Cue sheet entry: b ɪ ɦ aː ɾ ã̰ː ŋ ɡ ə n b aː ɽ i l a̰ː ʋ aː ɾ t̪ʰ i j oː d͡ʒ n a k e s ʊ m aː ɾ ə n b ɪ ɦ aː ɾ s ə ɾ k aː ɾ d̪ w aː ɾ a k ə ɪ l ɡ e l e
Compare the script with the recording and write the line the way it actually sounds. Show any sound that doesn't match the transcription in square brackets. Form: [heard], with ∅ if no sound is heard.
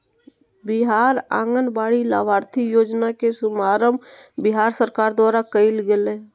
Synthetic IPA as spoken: b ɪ ɦ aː ɾ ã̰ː ŋ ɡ ə n b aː ɽ i l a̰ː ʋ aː ɾ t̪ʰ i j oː d͡ʒ n a k e s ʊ m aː ɾ ə [m] b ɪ ɦ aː ɾ s ə ɾ k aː ɾ d̪ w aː ɾ a k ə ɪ l ɡ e l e